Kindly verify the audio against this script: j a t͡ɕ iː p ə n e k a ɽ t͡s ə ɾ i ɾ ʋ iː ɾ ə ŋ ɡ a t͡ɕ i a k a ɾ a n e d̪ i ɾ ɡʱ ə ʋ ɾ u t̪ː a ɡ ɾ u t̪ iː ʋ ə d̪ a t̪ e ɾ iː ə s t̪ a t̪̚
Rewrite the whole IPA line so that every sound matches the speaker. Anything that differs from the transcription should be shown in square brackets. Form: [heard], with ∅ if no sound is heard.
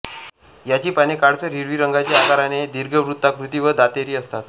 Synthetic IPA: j a t͡ɕ iː p [a] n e k a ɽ t͡s ə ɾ i ɾ ʋ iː ɾ ə ŋ ɡ a t͡ɕ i a k a ɾ a n e d̪ i ɾ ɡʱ ə ʋ ɾ u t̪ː a [k] ɾ u t̪ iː ʋ ə d̪ a t̪ e ɾ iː ə s t̪ a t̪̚